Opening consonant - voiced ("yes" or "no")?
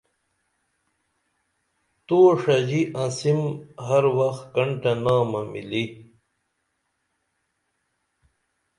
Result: no